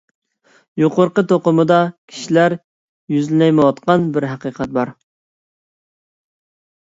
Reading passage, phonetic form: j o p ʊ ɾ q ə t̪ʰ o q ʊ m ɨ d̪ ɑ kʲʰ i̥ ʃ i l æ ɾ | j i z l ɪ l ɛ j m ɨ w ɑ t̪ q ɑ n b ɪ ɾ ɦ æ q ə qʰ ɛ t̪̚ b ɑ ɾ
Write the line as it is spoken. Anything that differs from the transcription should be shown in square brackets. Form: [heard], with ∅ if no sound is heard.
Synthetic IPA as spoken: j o [q] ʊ ɾ q ə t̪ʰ o q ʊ m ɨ d̪ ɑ kʲʰ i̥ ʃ i l æ ɾ | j [y] z l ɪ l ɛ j m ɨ w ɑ t̪ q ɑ n b ɪ ɾ ɦ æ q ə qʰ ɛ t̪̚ b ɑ ɾ